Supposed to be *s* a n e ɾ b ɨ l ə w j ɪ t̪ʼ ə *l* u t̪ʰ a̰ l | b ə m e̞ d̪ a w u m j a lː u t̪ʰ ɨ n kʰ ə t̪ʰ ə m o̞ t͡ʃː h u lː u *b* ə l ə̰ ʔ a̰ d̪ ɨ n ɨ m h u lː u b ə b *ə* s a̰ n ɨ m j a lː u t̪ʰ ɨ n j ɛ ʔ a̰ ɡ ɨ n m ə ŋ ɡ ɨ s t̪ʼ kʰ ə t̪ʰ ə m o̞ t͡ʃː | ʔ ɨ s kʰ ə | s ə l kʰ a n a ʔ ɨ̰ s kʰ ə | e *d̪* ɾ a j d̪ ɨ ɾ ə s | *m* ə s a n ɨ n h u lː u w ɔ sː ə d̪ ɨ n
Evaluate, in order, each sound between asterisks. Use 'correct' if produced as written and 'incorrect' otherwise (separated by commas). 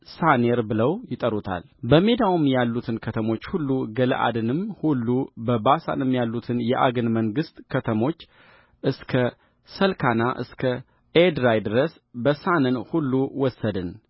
correct, incorrect, incorrect, incorrect, correct, incorrect